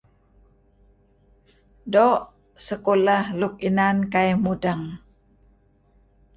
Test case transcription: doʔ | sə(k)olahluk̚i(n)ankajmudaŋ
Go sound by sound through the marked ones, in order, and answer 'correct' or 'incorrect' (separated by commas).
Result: correct, correct